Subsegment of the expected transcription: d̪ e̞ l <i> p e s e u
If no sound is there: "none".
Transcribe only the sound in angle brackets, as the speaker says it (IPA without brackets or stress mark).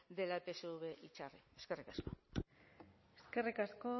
a